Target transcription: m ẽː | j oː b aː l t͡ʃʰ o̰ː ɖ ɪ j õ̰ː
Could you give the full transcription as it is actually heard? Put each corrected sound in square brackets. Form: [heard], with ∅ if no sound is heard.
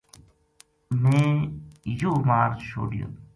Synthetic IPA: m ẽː | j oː [m] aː [ɾ] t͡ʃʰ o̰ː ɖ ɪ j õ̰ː